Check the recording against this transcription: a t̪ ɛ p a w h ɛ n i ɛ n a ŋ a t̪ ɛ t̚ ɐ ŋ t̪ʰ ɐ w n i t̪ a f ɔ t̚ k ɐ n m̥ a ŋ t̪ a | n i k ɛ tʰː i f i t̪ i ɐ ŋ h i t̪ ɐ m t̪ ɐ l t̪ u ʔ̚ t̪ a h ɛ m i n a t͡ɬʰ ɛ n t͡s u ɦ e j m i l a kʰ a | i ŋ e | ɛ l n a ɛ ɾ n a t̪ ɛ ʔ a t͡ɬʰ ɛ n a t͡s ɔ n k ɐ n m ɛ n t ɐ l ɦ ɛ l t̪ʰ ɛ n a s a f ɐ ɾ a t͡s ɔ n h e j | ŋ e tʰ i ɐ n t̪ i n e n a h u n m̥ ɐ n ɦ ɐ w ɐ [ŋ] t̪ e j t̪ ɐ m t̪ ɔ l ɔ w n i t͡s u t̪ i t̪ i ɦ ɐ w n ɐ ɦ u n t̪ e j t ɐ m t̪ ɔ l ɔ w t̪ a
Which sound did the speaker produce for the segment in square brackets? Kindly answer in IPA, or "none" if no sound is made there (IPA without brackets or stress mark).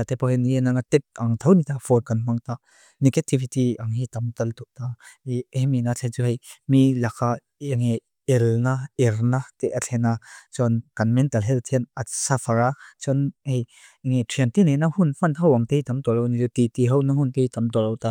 ŋ